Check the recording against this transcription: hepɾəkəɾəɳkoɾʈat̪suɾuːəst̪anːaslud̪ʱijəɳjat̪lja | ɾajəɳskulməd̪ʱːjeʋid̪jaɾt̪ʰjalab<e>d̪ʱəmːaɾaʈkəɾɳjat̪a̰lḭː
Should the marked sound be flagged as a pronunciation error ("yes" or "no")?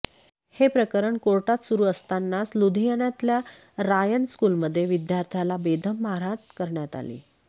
no